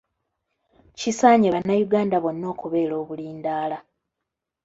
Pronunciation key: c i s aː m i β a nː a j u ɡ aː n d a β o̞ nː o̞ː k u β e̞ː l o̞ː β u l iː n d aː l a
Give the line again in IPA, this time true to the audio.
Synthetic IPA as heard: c i s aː ɲ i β a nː a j u ɡ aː n d a β o̞ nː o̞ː k u β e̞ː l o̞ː β u l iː n d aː l a